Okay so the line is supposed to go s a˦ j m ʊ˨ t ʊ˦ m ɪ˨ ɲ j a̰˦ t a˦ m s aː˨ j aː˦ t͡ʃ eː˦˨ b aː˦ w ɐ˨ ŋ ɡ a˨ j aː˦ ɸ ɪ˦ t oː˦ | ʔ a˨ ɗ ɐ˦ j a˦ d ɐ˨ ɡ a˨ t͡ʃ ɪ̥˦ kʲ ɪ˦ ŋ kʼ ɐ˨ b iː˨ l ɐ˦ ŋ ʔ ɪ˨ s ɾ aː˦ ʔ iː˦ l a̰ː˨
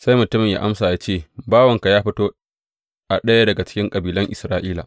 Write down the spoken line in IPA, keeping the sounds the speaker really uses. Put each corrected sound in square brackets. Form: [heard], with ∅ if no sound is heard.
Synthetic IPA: s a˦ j m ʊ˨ t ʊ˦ m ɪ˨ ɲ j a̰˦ [ʔ] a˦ m s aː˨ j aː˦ t͡ʃ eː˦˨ b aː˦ w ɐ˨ ŋ [k] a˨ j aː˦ ɸ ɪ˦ t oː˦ | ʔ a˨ ɗ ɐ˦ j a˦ d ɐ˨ ɡ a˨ t͡ʃ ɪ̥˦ kʲ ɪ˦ ŋ kʼ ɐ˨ b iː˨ l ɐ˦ ŋ ʔ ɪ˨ s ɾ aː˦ ʔ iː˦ l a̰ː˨

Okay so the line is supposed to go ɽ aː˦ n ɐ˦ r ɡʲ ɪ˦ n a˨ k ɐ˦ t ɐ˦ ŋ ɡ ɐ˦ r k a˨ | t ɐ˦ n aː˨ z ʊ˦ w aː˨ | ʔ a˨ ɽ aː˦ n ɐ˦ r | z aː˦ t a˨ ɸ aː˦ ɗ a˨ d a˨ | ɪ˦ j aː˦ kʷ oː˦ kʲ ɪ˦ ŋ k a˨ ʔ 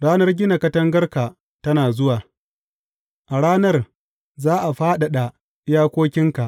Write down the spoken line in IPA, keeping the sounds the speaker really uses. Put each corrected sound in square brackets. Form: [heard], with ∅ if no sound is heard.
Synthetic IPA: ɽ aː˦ n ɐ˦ r ɡʲ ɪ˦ n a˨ k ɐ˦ t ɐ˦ ŋ ɡ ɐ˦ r k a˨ | t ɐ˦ n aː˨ z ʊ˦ w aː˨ | ʔ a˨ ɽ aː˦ n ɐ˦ r | z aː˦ [ʔ] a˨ ɸ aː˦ ɗ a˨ [ɗ] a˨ | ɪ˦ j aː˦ kʷ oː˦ kʲ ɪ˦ ŋ k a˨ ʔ

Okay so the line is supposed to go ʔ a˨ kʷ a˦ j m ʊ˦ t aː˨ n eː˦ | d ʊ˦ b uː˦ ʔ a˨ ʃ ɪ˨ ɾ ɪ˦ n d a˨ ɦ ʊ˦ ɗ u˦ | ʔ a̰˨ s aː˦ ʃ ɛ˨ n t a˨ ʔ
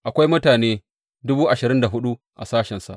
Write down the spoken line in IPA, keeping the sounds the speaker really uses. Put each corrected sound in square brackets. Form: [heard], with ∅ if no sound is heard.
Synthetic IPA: ʔ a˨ kʷ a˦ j m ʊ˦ t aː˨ n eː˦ | d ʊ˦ b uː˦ ʔ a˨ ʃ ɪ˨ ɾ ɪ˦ n d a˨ ɦ ʊ˦ ɗ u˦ | ʔ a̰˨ s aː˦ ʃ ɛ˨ n [s] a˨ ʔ

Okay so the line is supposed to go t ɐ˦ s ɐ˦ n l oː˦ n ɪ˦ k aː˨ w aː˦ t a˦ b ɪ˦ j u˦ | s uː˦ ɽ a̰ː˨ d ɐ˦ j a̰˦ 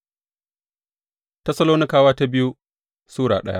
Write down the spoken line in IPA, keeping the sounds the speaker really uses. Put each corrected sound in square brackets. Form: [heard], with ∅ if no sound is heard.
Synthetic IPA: t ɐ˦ s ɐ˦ [∅] l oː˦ n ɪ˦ k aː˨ w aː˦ t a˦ b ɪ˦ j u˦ | s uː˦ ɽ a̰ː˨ [ɗ] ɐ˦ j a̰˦

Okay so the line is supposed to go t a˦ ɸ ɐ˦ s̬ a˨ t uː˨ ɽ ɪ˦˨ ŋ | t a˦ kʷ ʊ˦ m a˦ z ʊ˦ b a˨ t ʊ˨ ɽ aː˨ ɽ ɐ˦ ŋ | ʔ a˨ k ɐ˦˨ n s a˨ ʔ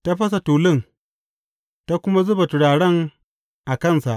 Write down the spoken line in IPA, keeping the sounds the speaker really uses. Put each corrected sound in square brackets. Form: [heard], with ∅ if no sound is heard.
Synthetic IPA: t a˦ ɸ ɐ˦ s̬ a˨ t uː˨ [l] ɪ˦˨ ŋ | t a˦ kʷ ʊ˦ m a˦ z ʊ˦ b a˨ t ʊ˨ ɽ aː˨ ɽ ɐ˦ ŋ | ʔ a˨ k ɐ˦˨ n s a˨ ʔ

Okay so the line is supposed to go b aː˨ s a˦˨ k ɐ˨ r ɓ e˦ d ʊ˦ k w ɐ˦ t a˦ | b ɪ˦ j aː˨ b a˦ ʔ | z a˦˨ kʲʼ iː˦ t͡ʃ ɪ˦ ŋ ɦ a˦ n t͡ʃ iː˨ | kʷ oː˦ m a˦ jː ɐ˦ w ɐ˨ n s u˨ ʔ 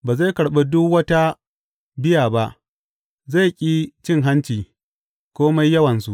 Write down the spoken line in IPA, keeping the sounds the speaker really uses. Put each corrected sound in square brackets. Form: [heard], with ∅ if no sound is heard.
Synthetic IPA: b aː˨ [z] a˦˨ k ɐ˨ [ɽ] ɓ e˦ d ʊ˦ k w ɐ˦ t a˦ | b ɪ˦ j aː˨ b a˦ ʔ | z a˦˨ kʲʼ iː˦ t͡ʃ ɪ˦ ŋ ɦ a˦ n t͡ʃ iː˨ | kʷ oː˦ m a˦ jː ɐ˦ w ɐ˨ n s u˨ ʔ

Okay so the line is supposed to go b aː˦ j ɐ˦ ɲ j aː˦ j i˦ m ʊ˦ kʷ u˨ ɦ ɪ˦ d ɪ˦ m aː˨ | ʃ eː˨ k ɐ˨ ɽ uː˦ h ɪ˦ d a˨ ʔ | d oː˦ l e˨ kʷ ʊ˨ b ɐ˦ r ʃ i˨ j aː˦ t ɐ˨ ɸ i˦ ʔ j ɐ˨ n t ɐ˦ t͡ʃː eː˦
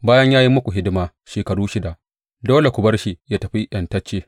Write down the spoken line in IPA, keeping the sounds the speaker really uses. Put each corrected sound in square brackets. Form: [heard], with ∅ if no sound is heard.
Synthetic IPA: b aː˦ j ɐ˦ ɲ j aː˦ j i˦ m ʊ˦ kʷ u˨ ɦ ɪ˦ d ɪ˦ m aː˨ | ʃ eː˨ k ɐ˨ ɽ uː˦ [ʃ] ɪ˦ d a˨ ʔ | d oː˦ l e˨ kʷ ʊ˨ b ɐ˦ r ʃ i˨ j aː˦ t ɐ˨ ɸ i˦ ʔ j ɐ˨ n t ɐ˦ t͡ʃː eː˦

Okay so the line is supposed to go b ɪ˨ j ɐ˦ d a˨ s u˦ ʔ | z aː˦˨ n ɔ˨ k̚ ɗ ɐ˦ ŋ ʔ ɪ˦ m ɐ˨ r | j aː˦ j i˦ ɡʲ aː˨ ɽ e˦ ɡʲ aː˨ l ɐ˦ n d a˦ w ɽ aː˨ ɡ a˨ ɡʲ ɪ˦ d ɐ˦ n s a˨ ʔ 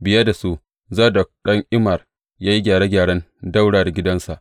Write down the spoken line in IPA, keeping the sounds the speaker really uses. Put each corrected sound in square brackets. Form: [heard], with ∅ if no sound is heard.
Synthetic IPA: b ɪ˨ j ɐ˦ d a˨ s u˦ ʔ | z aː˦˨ [d] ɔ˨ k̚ ɗ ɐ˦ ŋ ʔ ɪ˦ m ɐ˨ r | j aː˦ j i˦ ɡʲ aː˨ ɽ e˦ ɡʲ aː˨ [ɽ] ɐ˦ n d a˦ w ɽ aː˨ [d] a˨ ɡʲ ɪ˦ d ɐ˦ n s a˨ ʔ

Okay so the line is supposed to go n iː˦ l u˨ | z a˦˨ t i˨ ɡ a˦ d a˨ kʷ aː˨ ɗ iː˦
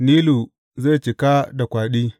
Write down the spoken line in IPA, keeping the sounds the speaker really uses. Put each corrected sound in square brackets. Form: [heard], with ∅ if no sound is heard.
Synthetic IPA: n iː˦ l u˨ | z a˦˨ [t͡ʃ] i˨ [k] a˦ d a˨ kʷ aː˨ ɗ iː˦

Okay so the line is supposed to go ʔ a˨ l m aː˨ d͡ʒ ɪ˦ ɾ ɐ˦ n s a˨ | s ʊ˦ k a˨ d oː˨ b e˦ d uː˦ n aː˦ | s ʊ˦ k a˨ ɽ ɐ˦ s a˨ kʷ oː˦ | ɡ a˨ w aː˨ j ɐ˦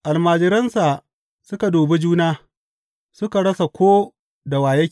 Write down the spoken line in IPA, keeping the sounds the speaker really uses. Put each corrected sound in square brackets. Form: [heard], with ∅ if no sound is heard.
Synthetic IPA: ʔ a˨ l m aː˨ d͡ʒ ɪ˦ ɾ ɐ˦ n s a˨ | s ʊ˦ k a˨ d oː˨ b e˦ [d͡ʒ] uː˦ n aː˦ | s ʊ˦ k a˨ ɽ ɐ˦ s a˨ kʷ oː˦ | [d] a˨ w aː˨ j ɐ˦

